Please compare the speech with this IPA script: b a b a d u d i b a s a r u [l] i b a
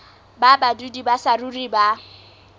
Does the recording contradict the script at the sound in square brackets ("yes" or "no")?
yes